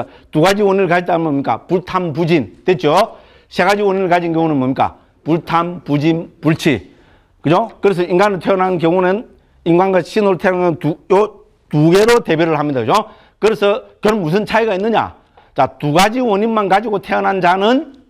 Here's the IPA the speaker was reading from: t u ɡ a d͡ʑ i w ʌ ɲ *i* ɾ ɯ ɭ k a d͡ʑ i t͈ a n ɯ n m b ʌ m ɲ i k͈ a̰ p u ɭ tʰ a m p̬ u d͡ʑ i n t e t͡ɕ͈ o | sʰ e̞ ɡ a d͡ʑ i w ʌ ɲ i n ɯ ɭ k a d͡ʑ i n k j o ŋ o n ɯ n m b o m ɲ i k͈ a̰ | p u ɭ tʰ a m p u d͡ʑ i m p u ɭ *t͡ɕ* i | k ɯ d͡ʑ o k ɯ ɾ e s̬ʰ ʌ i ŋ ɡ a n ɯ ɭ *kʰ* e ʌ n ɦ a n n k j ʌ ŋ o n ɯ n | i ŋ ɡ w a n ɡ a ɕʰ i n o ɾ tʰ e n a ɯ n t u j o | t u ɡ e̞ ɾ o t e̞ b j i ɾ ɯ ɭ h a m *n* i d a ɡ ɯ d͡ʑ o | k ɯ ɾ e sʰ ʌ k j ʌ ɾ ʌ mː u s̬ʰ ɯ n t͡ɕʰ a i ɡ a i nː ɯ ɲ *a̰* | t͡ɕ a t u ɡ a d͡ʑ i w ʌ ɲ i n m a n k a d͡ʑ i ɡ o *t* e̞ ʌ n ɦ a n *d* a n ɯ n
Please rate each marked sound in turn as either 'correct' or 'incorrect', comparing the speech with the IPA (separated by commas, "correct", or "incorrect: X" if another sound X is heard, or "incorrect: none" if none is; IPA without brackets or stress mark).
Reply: correct, incorrect: t͡ɕʰ, incorrect: tʰ, incorrect: ɲ, correct, incorrect: tʰ, incorrect: d͡ʑ